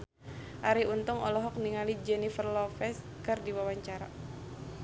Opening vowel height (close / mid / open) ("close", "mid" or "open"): open